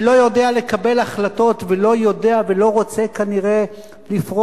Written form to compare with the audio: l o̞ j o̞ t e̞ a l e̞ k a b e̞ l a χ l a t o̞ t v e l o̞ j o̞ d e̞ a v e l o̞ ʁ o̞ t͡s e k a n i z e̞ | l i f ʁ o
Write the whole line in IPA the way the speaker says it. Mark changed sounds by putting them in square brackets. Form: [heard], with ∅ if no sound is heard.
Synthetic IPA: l o̞ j o̞ [d] e̞ a l e̞ k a b e̞ l a χ l a t o̞ t v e l o̞ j o̞ d e̞ a v e l o̞ ʁ o̞ t͡s e k a n i [ʁ] e̞ | l i f ʁ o